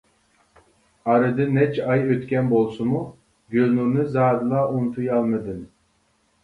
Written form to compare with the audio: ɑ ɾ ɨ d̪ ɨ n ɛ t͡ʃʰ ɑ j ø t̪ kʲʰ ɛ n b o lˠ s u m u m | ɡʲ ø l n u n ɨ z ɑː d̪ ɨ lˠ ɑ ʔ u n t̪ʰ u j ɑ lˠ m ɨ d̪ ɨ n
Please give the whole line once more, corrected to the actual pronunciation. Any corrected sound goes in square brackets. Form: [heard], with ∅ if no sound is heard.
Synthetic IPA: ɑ ɾ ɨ d̪ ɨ n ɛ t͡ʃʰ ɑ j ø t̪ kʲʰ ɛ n b o lˠ s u m u [∅] | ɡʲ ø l n u n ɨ z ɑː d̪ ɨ lˠ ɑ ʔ u n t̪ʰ u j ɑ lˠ m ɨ d̪ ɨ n